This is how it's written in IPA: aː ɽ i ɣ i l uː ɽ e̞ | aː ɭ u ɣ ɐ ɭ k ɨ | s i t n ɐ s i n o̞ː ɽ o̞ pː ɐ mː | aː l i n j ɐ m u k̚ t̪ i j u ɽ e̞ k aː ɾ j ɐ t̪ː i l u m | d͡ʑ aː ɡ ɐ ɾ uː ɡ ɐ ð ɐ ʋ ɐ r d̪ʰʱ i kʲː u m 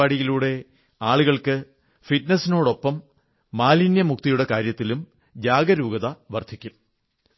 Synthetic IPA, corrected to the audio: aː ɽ i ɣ i l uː ɽ e̞ | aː ɭ u ɣ ɐ ɭ k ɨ | f i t n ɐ s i n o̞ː ɽ o̞ pː ɐ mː | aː l i n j ɐ m u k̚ t̪ i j u ɽ e̞ k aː ɾ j ɐ t̪ː i l u m | d͡ʑ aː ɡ ɐ ɾ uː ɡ ɐ ð ɐ ʋ ɐ r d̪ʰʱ i kʲː u m

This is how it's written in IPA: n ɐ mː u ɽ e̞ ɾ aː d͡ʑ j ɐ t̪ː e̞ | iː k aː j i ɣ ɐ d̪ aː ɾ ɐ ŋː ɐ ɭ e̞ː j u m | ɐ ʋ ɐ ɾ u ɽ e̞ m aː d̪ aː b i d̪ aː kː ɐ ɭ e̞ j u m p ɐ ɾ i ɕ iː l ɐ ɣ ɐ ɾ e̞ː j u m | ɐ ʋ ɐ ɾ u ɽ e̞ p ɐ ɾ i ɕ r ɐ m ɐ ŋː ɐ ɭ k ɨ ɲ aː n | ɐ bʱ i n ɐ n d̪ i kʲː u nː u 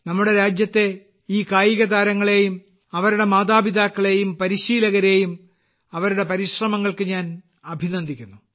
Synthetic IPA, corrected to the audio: n ɐ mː u ɽ e̞ ɾ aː d͡ʑ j ɐ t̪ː e̞ | iː k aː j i ɣ ɐ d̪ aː ɾ ɐ ŋː ɐ ɭ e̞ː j u m | ɐ ʋ ɐ ɾ u ɽ e̞ m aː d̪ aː b i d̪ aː kː ɐ ɭ e̞ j u m p ɐ ɾ i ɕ iː l ɐ ɣ ɐ ɾ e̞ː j u m | ɐ ʋ ɐ ɾ u ɽ e̞ p ɐ ɾ i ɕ r ɐ m ɐ ŋː ɐ ɭ k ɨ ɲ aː n | ɐ bʱ i n ɐ n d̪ i kʲː u nː u

